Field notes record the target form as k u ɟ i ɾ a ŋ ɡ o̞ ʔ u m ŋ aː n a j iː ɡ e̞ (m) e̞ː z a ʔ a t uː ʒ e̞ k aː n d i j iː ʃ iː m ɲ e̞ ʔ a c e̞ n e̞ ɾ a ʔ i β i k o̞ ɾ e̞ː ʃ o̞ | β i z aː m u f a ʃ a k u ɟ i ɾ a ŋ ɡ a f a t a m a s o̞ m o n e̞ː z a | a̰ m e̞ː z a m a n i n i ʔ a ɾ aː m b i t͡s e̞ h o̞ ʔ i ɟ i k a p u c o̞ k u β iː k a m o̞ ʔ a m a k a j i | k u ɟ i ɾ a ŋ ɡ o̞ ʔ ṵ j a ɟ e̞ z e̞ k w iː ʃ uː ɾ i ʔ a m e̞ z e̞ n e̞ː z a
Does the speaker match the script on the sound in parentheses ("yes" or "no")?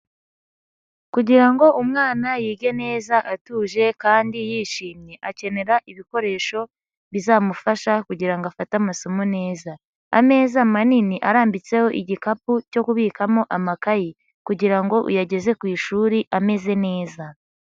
no